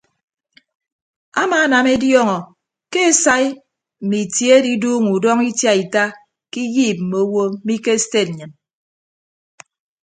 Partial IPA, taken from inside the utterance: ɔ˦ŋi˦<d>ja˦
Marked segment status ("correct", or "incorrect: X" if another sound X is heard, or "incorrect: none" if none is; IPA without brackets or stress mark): incorrect: t